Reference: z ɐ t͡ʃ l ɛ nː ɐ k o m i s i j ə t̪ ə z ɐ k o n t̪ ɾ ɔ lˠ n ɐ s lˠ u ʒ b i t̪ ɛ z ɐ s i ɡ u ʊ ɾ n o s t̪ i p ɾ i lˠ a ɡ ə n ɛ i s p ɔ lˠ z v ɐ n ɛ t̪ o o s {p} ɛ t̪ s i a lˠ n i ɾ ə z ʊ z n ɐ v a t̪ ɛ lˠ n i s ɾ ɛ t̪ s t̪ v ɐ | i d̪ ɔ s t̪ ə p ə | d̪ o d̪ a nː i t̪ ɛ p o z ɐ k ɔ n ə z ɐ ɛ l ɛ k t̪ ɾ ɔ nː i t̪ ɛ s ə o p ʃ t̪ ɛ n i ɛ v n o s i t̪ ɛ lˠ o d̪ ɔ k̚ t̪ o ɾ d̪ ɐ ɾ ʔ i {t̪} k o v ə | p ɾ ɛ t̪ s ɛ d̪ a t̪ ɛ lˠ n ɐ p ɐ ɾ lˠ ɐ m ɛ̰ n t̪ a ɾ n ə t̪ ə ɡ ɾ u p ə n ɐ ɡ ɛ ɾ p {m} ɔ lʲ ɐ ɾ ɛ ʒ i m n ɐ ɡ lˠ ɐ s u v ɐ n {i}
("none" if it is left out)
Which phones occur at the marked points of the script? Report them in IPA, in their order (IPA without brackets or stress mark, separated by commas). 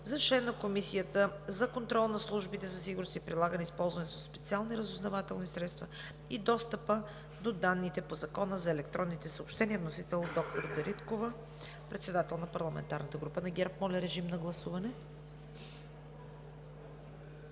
p, t̪, m, ɛ